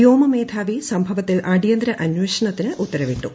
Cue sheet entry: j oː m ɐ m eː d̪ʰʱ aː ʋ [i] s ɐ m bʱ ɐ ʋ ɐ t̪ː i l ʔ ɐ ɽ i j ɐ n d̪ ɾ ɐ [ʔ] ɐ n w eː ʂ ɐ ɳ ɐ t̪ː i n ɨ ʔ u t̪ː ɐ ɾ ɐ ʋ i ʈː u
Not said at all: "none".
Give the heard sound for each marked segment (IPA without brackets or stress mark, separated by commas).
i, ʔ